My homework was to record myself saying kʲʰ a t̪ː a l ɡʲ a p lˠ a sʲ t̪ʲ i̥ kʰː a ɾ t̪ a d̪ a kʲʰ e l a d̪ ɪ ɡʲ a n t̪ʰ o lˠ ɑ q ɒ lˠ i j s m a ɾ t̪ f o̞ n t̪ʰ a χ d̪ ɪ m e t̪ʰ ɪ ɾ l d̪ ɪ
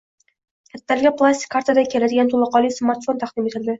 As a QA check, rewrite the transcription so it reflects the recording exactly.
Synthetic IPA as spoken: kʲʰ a t̪ː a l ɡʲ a p lˠ a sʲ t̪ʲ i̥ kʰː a ɾ t̪ a d̪ a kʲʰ e l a d̪ ɪ ɡʲ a n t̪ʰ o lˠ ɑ q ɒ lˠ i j s m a ɾ t̪ f o̞ n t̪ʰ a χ d̪ ɪ m e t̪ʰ ɪ l d̪ ɪ